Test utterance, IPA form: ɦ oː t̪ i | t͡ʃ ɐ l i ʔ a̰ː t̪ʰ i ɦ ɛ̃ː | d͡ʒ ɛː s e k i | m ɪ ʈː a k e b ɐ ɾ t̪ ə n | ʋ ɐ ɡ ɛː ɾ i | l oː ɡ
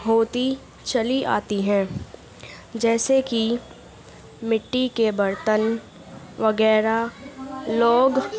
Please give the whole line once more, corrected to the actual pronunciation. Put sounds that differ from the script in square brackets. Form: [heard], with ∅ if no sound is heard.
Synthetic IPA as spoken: ɦ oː t̪ i | t͡ʃ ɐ l i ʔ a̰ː [t̪] i ɦ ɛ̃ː | d͡ʒ ɛː s e k i | m ɪ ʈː [i] k e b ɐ ɾ t̪ ə n | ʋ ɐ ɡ ɛː ɾ [a] | l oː ɡ